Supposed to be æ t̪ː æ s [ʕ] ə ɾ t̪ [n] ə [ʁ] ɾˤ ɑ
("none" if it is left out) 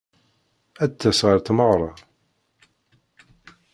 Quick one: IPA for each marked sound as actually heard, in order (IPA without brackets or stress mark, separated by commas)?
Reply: ʁ, m, ʁ